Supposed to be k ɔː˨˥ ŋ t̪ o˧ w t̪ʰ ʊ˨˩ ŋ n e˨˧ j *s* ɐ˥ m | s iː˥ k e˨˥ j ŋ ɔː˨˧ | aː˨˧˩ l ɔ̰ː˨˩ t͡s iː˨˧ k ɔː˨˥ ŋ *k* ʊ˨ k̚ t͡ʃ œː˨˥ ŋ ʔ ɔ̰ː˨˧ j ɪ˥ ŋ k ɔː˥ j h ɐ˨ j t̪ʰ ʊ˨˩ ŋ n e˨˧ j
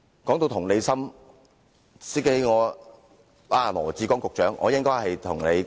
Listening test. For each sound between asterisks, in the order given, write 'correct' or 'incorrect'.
correct, correct

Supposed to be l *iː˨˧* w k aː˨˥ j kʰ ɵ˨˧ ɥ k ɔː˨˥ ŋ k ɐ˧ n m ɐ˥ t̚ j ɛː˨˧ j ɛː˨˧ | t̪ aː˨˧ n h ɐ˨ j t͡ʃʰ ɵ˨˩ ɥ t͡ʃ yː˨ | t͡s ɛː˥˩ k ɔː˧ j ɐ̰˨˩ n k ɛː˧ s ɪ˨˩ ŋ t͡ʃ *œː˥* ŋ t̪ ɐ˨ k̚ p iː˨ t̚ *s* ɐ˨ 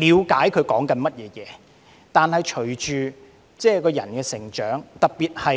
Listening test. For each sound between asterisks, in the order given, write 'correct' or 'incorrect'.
correct, incorrect, incorrect

